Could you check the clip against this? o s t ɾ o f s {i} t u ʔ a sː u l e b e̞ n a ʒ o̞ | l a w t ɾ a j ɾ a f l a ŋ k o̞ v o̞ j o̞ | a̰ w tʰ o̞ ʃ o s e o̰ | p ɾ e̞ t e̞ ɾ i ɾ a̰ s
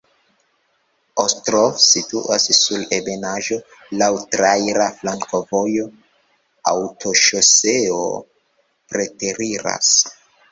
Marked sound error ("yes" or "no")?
no